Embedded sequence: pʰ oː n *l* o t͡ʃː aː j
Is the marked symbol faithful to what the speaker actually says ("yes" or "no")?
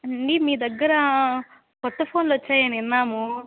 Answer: yes